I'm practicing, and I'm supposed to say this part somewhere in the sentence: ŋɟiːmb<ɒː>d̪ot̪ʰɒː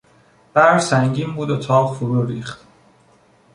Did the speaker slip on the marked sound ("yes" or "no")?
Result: yes